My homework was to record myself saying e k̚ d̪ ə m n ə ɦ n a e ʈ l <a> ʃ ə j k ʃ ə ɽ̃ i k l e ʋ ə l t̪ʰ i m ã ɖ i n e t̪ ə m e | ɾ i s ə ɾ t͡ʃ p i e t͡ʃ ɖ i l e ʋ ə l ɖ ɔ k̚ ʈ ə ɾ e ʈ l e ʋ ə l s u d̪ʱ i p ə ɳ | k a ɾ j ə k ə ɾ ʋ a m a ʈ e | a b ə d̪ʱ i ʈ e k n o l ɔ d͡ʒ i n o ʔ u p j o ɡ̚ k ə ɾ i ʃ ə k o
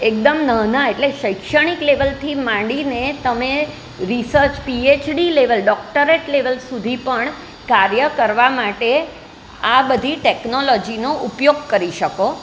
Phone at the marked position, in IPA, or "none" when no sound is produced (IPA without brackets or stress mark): e